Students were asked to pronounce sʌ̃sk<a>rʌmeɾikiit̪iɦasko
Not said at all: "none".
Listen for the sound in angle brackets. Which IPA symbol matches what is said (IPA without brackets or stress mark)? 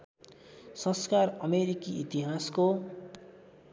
a